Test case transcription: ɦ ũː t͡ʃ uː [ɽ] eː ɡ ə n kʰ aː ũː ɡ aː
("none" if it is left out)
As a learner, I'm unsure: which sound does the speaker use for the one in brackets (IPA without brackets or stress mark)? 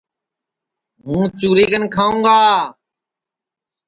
ɾ